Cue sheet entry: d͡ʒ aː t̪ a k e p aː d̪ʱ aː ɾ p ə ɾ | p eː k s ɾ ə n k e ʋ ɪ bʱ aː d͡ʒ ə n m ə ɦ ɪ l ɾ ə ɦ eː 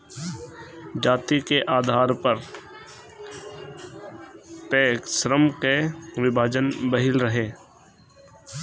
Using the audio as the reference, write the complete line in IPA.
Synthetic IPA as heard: d͡ʒ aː t̪ i k e ʔ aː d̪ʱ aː ɾ p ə ɾ | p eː k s ɾ ə m k e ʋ ɪ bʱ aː d͡ʒ ə n b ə ɦ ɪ l ɾ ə ɦ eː